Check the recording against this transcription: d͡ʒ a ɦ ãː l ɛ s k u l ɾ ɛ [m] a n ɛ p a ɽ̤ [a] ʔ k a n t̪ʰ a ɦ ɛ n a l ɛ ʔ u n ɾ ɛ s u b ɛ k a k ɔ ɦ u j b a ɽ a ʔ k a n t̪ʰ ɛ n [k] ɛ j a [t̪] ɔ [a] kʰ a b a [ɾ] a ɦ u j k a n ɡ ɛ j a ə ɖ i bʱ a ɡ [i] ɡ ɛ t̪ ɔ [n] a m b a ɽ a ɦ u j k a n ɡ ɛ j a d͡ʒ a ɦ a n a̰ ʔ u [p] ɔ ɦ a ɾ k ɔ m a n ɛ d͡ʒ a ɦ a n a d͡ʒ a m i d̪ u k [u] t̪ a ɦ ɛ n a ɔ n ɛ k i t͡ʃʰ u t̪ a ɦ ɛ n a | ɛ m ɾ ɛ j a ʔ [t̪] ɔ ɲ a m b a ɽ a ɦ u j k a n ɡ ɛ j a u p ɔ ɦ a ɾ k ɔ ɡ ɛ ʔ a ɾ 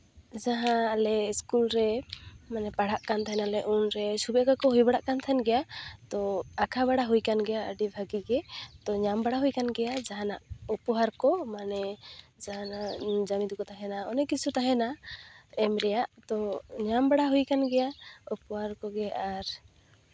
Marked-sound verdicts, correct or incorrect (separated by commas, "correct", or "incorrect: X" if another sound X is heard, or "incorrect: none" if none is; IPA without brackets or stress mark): correct, correct, incorrect: ɡ, correct, correct, incorrect: ɽ, correct, incorrect: ɲ, correct, incorrect: ɔ, correct